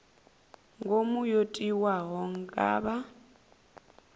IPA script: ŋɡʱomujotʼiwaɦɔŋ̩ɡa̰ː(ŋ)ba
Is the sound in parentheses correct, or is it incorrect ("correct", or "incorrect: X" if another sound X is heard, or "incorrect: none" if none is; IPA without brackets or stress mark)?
incorrect: none